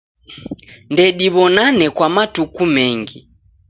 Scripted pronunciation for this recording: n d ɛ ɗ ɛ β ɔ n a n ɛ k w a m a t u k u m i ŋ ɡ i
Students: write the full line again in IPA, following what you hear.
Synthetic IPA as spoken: n d ɛ ɗ i β ɔ n a n ɛ k w a m a t u k u m ɛ ŋ ɡ i

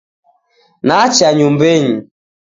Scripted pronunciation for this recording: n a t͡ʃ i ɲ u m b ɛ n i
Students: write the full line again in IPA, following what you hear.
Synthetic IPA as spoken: n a t͡ʃ a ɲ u m b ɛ ɲ i

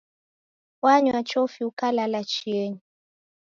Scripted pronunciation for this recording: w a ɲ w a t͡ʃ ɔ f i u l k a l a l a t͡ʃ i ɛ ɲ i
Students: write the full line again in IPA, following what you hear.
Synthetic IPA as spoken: w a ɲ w a t͡ʃ ɔ f i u k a l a l a t͡ʃ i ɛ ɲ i

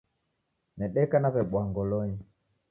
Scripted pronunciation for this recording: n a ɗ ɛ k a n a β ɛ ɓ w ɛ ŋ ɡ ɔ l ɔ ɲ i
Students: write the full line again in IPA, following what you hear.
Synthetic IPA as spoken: n ɛ ɗ ɛ k a n a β ɛ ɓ w a ŋ ɡ ɔ l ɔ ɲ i

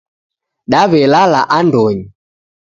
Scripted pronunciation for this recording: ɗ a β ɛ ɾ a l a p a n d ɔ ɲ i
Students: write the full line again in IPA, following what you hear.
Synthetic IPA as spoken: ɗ a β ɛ l a l a ʔ a n d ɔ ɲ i

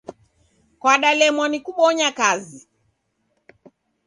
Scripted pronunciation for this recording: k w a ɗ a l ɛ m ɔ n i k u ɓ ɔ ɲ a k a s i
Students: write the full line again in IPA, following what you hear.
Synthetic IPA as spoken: k w a ɗ a l ɛ m ɔ n i k u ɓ ɔ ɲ a k a z i

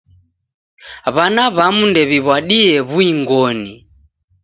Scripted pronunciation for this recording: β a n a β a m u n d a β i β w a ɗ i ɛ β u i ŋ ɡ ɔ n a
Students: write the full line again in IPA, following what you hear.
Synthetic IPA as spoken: β a n a β a m u n d ɛ β i β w a ɗ i ɛ β u i ŋ ɡ ɔ n i

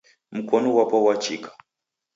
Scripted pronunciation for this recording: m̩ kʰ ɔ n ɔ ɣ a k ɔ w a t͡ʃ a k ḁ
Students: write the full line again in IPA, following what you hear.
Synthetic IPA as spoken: m̩ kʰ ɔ n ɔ w a p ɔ w a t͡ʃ i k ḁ

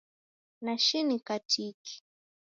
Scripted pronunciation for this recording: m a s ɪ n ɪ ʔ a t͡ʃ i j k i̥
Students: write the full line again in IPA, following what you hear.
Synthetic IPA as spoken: n a ʃ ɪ n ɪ k a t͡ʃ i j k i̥

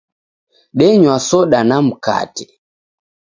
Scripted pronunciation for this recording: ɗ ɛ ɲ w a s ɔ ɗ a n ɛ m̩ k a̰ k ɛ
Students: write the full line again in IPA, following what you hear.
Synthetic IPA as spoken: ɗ ɛ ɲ w a s ɔ ɗ a n a m̩ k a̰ t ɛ

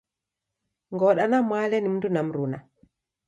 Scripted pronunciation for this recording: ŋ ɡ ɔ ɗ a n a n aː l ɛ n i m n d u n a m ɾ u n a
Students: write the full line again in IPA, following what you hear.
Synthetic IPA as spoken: ŋ ɡ ɔ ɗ a n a m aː l ɛ n i m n d u n a m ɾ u n a

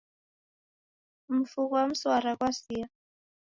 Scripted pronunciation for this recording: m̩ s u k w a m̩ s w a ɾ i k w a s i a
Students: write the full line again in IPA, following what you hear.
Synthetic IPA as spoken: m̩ f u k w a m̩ s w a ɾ a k w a s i a

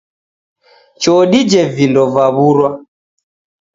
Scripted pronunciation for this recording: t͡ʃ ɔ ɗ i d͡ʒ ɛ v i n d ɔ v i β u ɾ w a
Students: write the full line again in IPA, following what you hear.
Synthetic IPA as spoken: t͡ʃ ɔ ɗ i d͡ʒ ɛ v i n d ɔ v a β u ɾ w a

